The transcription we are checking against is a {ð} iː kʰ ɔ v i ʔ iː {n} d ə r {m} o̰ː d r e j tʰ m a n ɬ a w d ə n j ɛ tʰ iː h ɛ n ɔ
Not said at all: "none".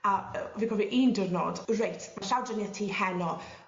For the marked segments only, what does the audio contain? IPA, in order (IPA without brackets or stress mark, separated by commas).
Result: v, n, n